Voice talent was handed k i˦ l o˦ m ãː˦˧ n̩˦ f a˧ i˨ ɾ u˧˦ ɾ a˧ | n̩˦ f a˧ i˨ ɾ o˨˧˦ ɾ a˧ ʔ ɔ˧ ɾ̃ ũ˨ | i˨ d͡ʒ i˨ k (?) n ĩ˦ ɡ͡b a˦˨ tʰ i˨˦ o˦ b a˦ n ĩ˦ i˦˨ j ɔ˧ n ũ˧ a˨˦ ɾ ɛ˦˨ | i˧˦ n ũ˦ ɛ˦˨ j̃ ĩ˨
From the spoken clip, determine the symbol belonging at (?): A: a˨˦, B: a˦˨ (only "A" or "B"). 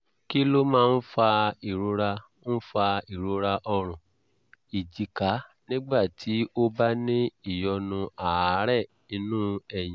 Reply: A